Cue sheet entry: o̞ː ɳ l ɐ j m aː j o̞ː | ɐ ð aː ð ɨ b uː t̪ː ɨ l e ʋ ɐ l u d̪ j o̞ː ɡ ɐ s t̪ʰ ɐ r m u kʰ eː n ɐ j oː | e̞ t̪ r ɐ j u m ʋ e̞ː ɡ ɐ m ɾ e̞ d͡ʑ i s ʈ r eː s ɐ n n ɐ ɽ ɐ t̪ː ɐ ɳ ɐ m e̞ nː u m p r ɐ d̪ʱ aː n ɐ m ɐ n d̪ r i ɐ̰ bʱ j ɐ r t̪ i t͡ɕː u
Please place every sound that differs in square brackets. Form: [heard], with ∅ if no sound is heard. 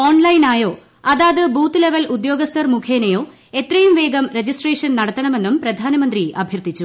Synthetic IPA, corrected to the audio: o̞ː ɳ l ɐ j [n] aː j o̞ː | ɐ ð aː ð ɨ b uː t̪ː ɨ l e ʋ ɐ l u d̪ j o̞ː ɡ ɐ s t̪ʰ ɐ r m u kʰ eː n ɐ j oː | e̞ t̪ r ɐ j u m ʋ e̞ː ɡ ɐ m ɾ e̞ d͡ʑ i s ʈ r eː [ʂ] ɐ n n ɐ ɽ ɐ t̪ː ɐ ɳ ɐ m e̞ nː u m p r ɐ d̪ʱ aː n ɐ m ɐ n d̪ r i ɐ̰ bʱ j ɐ r t̪ i t͡ɕː u

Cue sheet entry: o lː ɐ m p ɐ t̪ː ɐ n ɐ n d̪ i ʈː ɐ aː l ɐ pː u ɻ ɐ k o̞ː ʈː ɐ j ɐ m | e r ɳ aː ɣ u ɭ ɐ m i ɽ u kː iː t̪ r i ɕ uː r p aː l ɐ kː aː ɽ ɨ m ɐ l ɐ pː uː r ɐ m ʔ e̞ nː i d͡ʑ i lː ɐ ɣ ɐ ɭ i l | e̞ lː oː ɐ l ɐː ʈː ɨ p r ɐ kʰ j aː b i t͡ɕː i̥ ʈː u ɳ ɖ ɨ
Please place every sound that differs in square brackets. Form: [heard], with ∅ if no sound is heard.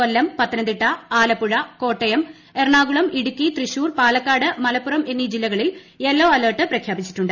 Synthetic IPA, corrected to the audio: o lː ɐ m p ɐ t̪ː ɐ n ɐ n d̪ i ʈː ɐ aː l ɐ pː u ɻ ɐ k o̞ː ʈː ɐ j ɐ m | e r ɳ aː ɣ u ɭ ɐ m i ɽ u kː [i] t̪ r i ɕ uː r p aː l ɐ kː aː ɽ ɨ m ɐ l ɐ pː [u] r ɐ m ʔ e̞ nː i d͡ʑ i lː ɐ ɣ ɐ ɭ i l | e̞ lː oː ɐ l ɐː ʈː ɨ p r ɐ kʰ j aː b i t͡ɕː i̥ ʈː u ɳ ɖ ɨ

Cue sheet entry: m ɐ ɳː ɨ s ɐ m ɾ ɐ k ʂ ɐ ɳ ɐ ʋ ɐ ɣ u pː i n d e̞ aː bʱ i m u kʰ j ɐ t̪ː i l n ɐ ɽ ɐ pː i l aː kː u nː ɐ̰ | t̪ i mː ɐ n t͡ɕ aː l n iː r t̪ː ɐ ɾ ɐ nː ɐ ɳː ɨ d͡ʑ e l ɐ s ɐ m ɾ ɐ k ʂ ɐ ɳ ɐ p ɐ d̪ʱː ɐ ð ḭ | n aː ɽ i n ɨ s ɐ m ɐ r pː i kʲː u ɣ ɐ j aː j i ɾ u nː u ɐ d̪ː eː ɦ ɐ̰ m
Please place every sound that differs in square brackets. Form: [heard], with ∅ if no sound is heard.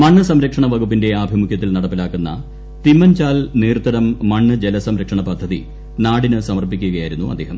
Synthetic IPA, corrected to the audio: m ɐ ɳː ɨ s ɐ m ɾ ɐ k ʂ ɐ ɳ ɐ ʋ ɐ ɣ u pː i n d e̞ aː bʱ i m u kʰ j ɐ t̪ː i l n ɐ ɽ ɐ pː i l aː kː u nː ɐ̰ | t̪ i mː ɐ n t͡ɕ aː l n iː r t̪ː ɐ ɾ ɐ [mː] ɐ ɳː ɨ d͡ʑ e l ɐ s ɐ m ɾ ɐ k ʂ ɐ ɳ ɐ p ɐ d̪ʱː ɐ ð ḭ | n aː ɽ i n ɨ s ɐ m ɐ r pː i kʲː u ɣ ɐ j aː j i ɾ u nː u ɐ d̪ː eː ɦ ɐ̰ m

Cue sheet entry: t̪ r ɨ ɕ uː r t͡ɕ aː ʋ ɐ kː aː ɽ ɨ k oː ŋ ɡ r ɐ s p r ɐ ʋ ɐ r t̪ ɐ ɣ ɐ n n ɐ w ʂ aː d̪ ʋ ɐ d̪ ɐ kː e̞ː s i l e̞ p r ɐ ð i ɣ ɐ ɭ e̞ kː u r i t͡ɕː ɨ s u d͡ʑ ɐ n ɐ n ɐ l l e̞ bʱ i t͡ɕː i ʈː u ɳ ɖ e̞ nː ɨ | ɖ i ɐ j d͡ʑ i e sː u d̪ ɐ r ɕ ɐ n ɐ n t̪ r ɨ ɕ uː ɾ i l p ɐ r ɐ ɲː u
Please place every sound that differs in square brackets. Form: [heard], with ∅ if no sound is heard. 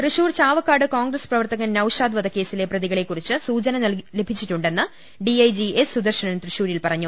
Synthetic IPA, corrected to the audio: t̪ r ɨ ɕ uː r t͡ɕ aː ʋ ɐ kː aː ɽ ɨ k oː ŋ ɡ r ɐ s p r ɐ ʋ ɐ r t̪ ɐ ɣ ɐ n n ɐ w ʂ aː d̪ ʋ ɐ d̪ ɐ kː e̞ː s i l e̞ p r ɐ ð i ɣ ɐ ɭ e̞ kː u r i t͡ɕː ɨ s [uː] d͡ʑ ɐ n ɐ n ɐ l l e̞ bʱ i t͡ɕː i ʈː u ɳ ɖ e̞ nː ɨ | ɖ i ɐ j d͡ʑ i e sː u d̪ ɐ r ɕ ɐ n ɐ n t̪ r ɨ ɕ uː ɾ i l p ɐ r ɐ ɲː u

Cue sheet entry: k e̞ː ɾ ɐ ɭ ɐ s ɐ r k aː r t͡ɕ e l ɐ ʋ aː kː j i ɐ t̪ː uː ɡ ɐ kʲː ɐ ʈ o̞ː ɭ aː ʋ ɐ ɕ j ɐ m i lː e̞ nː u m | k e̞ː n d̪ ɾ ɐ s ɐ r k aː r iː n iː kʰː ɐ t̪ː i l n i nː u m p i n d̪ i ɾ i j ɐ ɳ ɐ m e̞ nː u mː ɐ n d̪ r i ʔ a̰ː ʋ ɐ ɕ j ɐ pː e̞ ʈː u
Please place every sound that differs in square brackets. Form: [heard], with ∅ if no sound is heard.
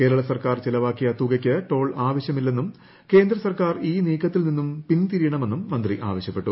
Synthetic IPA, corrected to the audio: k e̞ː ɾ ɐ ɭ ɐ s ɐ r k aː r t͡ɕ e l ɐ ʋ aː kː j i ɐ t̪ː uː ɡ ɐ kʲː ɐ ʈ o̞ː ɭ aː ʋ ɐ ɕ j ɐ m i lː e̞ nː u m | k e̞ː n d̪ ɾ ɐ s ɐ r k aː r iː n iː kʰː ɐ t̪ː i l n i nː u m p i n [t̪] i ɾ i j ɐ ɳ ɐ m e̞ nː u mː ɐ n d̪ r i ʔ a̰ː ʋ ɐ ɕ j ɐ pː e̞ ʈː u

